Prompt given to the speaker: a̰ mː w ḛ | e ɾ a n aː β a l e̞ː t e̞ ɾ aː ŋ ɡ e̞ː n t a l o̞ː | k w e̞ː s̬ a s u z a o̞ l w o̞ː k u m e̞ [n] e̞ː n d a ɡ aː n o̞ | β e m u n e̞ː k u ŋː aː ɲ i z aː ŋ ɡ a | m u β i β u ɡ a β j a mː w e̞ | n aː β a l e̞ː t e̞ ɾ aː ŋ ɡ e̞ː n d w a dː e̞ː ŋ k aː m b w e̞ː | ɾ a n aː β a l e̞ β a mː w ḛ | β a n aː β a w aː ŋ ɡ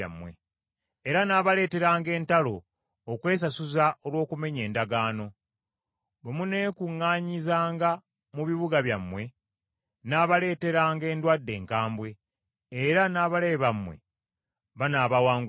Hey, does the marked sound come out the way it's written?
no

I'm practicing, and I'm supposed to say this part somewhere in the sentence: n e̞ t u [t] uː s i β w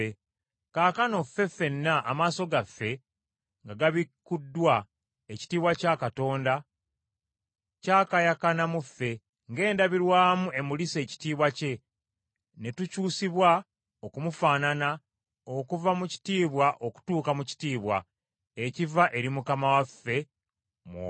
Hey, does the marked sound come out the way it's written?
no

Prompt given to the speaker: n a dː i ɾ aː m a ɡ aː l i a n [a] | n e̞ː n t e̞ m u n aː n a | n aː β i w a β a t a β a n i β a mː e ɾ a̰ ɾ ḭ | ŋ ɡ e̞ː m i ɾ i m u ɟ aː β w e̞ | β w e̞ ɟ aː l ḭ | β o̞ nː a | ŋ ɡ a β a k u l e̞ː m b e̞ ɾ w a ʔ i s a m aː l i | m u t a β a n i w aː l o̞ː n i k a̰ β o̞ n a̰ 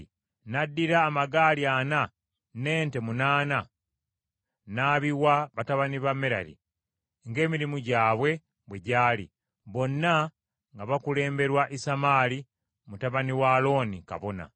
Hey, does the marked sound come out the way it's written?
yes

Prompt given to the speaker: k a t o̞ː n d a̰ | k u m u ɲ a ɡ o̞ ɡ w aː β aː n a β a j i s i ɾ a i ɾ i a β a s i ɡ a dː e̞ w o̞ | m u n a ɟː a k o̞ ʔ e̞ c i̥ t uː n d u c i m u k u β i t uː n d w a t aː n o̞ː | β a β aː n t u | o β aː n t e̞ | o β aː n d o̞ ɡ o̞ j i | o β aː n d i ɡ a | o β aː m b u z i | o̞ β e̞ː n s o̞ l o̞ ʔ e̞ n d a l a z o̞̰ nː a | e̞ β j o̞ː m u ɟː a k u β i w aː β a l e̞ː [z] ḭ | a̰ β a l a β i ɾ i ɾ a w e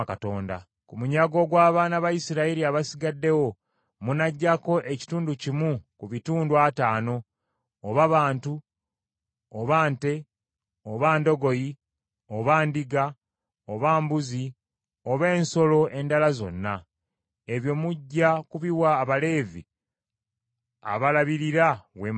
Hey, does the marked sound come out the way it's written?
no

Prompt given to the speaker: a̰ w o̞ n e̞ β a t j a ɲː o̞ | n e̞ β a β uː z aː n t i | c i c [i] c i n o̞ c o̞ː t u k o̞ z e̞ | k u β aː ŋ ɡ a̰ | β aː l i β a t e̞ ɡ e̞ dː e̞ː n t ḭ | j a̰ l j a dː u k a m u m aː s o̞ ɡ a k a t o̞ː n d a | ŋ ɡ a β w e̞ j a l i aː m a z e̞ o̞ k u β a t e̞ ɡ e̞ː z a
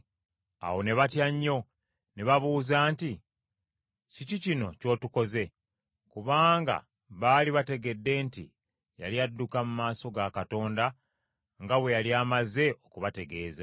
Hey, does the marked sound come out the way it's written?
yes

